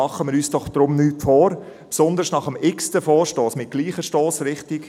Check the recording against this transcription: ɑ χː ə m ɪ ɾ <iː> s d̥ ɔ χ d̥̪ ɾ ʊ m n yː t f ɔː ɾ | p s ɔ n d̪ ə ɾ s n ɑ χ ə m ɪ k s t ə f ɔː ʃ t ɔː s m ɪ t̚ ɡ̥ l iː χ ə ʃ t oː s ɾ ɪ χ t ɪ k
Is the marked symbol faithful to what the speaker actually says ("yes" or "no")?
no